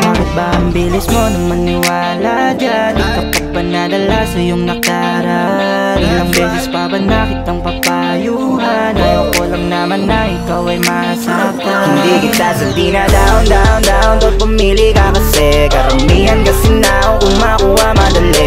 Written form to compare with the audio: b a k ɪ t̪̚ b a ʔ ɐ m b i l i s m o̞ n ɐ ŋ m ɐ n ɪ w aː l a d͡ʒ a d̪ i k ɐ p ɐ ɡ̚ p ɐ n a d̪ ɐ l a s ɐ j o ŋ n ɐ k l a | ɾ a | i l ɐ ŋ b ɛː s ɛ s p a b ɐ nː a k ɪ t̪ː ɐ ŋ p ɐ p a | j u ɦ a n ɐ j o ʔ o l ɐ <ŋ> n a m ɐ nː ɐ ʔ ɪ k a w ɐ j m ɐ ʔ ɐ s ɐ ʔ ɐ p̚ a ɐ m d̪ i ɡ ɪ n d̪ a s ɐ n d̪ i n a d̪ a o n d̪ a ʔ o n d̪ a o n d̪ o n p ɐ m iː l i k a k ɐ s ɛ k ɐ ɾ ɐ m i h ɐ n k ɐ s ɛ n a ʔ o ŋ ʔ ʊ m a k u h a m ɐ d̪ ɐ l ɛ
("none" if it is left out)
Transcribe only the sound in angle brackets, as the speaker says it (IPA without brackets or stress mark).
ŋ